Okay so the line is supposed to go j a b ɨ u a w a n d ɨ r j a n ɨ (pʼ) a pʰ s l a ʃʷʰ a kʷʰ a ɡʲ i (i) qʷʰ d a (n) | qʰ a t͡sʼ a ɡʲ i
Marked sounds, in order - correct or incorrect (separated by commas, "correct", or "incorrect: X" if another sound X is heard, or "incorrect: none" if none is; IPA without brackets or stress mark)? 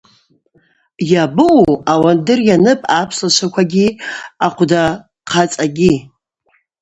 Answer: correct, incorrect: a, incorrect: none